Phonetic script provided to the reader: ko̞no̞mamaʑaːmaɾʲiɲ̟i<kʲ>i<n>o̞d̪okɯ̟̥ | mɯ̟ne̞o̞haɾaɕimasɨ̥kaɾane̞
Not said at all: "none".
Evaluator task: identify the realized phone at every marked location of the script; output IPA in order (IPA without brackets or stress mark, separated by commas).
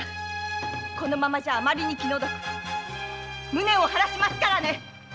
kʲ, n